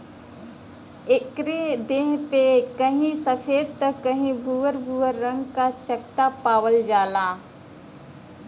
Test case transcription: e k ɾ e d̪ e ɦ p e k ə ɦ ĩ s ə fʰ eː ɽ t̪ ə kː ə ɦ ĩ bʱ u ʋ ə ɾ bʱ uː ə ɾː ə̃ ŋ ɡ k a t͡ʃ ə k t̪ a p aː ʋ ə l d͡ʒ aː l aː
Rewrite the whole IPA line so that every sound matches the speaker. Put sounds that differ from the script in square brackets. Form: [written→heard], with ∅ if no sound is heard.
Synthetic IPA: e k ɾ e d̪ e ɦ p e k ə ɦ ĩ s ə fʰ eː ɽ t̪ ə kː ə ɦ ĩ bʱ u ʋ ə ɾ bʱ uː ə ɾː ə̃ ŋ ɡ k a t͡ʃ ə k t̪ a p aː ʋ ə l d͡ʒ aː l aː